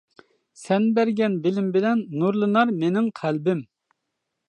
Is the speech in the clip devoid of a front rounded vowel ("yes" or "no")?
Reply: yes